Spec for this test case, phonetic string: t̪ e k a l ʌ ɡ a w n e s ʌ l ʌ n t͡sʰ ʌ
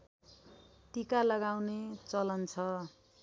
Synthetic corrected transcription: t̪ i k a l ʌ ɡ a w n e t͡s ʌ l ʌ n t͡sʰ ʌ